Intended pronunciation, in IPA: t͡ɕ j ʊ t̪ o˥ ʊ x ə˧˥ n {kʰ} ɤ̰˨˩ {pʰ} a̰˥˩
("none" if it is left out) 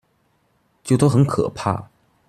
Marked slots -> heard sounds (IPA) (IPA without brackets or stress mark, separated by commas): kʰ, pʰ